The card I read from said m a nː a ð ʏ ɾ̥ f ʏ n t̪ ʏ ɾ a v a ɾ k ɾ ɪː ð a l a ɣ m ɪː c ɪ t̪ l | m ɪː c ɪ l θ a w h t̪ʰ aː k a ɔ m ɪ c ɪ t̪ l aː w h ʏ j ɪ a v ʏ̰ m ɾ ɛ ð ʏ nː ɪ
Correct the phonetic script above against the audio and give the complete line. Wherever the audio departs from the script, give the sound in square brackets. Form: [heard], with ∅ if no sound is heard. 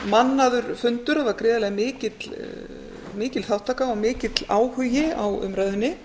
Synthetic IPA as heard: m a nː a ð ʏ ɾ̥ f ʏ n t̪ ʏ ɾ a v a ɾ k ɾ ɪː ð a l [ɛ] ɣ m ɪː c ɪ t̪ l | m ɪː c ɪ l θ a w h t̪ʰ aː k a ɔ m [ɪː] c ɪ t̪ l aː w h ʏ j ɪ a [w] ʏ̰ m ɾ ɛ ð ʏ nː ɪ

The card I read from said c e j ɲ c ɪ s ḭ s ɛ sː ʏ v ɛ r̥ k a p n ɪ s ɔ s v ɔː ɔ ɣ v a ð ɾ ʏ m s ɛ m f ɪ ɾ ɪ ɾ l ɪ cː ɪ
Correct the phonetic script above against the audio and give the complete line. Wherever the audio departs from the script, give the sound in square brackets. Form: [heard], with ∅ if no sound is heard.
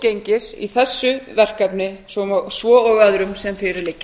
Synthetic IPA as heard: c e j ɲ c ɪ s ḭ [θ] ɛ sː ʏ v ɛ r̥ k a p n ɪ s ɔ s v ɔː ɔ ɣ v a ð ɾ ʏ m s ɛ m f ɪ ɾ ɪ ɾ l ɪ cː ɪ

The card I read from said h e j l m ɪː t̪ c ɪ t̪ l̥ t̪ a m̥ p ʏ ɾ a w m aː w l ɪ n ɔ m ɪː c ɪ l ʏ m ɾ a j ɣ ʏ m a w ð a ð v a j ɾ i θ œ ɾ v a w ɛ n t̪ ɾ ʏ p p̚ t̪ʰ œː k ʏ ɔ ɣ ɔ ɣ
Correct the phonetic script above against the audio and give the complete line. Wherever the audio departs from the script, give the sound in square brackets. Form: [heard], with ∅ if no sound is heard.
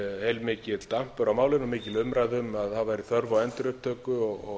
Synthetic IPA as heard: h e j l m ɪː [∅] c ɪ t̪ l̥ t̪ a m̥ p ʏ ɾ a w m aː w l ɪ n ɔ m ɪː c ɪ l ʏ m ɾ a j [ð] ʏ m a [∅] ð a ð v a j ɾ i θ œ ɾ v a w ɛ n t̪ ɾ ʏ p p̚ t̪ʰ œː k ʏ ɔ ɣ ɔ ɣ

